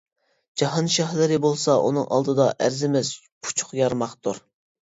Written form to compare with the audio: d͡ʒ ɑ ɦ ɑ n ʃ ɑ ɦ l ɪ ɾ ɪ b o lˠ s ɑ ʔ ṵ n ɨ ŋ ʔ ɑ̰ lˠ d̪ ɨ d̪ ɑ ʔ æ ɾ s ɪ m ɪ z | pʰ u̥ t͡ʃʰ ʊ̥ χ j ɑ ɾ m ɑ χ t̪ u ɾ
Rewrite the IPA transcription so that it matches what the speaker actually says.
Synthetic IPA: d͡ʒ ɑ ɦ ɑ n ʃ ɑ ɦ l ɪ ɾ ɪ b o lˠ s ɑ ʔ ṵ n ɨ ŋ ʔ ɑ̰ lˠ d̪ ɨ d̪ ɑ ʔ æ ɾ z ɪ m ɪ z | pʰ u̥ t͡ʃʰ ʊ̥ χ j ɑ ɾ m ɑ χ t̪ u ɾ

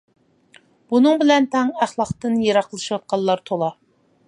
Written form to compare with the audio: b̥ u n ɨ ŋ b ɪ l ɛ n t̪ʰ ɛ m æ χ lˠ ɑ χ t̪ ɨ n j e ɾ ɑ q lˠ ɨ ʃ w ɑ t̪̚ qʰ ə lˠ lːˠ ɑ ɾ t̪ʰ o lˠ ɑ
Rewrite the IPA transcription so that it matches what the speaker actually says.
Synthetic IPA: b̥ u n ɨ ŋ b ɪ l ɛ n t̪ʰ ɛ ŋ æ χ lˠ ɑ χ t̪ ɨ n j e ɾ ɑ q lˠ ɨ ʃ w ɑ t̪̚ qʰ ɑ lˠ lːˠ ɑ ɾ t̪ʰ o lˠ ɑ

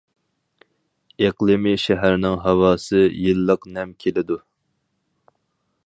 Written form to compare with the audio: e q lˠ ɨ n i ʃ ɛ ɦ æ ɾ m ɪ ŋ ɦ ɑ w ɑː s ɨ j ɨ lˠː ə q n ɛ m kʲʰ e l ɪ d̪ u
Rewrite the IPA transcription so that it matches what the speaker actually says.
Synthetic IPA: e q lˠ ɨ m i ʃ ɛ ɦ æ ɾ n ɪ ŋ ɦ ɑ w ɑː s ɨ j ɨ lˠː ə q n ɛ m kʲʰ e l ɪ d̪ u

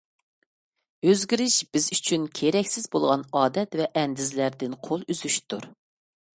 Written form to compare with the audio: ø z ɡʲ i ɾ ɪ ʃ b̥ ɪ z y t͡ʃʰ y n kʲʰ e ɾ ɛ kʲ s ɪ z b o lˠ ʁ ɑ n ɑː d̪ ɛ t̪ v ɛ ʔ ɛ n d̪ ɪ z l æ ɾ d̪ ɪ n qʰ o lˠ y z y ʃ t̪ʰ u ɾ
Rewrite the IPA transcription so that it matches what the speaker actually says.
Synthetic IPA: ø z ɡʲ i ɾ ɪ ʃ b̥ ɪ z y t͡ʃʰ y n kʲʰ e ɾ ɛ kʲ s ɪ z b o lˠ ʁ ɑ n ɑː d̪ ɛ t̪ v ɛ ʔ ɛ n d̪ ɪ z l æ ɾ d̪ ɪ n qʰ o lˠ y z y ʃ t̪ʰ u ɾ

